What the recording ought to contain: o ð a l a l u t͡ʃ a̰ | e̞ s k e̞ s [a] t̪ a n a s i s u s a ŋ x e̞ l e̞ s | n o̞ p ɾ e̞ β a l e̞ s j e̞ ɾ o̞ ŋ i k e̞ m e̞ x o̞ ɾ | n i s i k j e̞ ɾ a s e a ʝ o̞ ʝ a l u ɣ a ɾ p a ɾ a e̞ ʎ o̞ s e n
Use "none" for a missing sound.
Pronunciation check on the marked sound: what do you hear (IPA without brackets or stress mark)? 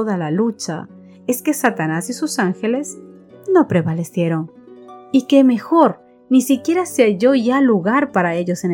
a